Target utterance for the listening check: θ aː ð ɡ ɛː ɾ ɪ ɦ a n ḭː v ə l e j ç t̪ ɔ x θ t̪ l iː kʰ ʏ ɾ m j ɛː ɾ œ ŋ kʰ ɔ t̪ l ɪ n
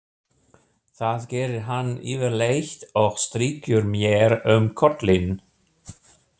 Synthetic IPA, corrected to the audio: θ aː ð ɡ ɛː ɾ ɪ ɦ a n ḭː v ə l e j ç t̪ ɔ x s t̪ ɾ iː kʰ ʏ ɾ m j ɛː ɾ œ m kʰ ɔ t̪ l ɪ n